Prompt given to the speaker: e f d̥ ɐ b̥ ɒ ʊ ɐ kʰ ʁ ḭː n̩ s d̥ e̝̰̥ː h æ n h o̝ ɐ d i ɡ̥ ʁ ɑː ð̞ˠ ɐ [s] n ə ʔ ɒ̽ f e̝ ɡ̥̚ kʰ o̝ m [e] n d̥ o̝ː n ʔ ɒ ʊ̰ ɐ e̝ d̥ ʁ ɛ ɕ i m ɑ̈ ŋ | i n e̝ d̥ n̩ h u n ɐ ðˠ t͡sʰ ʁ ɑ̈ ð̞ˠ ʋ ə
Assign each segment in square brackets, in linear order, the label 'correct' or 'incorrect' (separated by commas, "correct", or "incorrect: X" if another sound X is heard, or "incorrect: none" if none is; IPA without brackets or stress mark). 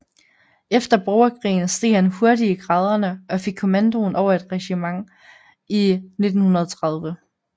incorrect: none, incorrect: æ